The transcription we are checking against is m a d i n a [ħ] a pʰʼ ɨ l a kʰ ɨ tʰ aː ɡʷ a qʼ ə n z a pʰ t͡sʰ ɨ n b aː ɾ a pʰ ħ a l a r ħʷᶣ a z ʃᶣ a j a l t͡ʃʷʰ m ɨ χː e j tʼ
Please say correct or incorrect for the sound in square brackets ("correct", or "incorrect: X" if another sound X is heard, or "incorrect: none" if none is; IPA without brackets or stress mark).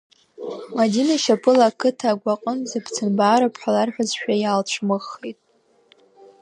incorrect: ʃ